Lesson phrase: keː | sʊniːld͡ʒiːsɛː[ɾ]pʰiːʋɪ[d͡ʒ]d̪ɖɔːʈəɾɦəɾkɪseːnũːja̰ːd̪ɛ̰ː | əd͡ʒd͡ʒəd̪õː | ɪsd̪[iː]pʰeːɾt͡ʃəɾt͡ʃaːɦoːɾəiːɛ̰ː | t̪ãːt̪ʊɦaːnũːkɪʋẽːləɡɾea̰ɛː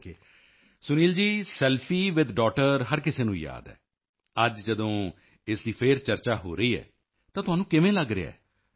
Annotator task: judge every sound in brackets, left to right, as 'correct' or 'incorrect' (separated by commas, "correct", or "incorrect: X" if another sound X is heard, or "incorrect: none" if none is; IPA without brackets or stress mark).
incorrect: l, incorrect: none, correct